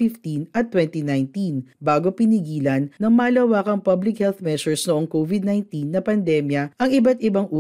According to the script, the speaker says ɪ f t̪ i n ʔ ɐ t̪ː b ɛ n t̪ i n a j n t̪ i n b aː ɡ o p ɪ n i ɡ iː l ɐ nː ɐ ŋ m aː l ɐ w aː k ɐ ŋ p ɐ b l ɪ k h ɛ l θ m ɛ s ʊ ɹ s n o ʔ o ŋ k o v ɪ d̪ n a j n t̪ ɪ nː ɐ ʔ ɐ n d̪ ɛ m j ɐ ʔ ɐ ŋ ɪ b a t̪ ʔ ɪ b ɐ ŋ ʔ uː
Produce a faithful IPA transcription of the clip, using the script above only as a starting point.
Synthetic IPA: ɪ f t̪ i n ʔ ɐ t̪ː w ɛ n t̪ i n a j n t̪ i n b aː ɡ o p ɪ n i ɡ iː l ɐ nː ɐ ŋ m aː l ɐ w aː k ɐ ŋ p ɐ b l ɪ k h ɛ l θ m ɛ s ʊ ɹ s n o ʔ o ŋ k o v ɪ d̪ n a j n t̪ i nː ɐ p ɐ n d̪ ɛ m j ɐ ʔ ɐ ŋ ɪ b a t̪ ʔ ɪ b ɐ ŋ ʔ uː